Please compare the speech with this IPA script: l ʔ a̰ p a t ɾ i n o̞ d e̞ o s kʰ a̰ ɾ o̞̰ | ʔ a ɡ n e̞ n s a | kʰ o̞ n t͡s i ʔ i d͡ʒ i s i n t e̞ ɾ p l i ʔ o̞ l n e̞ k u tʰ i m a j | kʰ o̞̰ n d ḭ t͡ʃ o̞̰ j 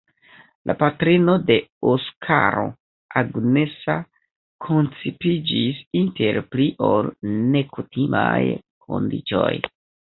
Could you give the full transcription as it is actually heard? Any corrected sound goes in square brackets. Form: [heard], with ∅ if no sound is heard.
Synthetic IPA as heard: l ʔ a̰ p a t ɾ i n o̞ d e̞ o s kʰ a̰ ɾ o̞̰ | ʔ a ɡ n e̞ [∅] s a | kʰ o̞ n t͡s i [p] i d͡ʒ i s i n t e̞ ɾ p l i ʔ o̞ l n e̞ k u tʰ i m a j | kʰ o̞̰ n d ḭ t͡ʃ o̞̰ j